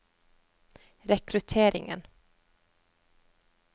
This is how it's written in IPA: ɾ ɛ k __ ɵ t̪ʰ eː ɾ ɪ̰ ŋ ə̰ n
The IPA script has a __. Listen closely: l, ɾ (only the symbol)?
ɾ